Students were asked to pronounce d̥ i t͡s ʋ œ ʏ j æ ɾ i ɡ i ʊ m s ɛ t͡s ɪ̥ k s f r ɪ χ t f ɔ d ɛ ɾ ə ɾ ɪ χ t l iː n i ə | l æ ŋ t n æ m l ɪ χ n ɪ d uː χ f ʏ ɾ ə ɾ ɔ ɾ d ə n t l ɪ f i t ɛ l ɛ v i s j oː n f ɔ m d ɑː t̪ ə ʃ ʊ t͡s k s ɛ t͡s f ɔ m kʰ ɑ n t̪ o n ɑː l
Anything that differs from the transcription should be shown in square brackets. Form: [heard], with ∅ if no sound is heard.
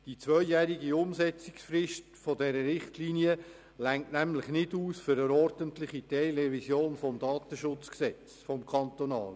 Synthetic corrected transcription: d̥ i t͡s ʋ œ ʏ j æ ɾ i ɡ i ʊ m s ɛ t͡s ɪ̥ k s f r ɪ [ʃ] t f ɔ d ɛ ɾ ə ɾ ɪ χ t l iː n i ə | l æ ŋ t n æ m l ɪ χ n ɪ d uː [s] f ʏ ɾ ə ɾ ɔ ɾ d ə n t l ɪ [χ] i t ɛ l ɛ v i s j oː n f ɔ m d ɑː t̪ ə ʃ ʊ t͡s k s ɛ t͡s f ɔ m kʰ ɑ n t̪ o n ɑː l